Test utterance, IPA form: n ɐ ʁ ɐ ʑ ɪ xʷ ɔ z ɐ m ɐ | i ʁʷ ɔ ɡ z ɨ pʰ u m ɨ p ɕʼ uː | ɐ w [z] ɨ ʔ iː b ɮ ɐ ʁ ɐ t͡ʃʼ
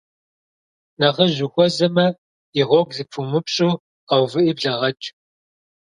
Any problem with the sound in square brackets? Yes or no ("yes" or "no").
yes